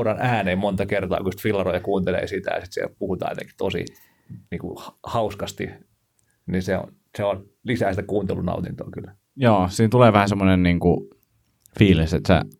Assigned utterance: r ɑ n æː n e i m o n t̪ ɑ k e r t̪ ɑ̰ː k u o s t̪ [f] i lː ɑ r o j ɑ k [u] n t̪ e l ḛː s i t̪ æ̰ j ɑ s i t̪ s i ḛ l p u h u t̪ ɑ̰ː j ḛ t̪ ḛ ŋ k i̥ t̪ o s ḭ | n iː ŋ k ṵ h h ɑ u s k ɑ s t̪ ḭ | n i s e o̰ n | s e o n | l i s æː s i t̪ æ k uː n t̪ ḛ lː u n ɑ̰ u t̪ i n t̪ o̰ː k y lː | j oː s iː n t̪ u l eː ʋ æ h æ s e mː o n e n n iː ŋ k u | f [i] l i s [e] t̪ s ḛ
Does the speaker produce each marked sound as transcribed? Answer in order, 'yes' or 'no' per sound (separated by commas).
yes, no, no, yes